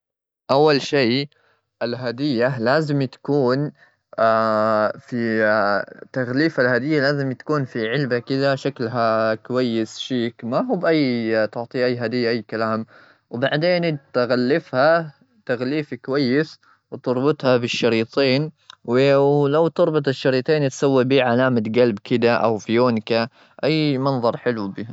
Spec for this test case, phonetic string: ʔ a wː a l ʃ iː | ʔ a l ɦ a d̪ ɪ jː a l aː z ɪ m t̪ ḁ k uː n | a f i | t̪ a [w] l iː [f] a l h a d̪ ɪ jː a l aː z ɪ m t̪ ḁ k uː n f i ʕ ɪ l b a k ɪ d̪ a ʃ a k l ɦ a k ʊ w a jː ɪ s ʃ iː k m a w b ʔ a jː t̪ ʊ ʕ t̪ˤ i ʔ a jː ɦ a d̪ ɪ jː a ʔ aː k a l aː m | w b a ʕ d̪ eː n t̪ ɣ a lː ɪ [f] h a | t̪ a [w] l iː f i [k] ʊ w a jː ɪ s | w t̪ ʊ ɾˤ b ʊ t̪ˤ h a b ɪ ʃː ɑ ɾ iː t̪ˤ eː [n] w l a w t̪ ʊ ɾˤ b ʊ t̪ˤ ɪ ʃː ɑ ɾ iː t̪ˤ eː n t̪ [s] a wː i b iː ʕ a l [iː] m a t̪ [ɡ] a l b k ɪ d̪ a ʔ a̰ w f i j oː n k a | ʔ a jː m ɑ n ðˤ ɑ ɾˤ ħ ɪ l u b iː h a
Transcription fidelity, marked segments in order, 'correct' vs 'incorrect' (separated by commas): incorrect, correct, correct, incorrect, correct, correct, correct, incorrect, correct